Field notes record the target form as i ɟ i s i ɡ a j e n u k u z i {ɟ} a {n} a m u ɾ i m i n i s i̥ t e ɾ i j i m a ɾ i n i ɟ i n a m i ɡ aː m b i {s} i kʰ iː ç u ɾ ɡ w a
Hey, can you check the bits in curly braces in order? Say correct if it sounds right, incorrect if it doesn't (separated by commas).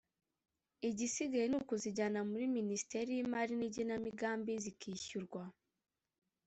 correct, correct, incorrect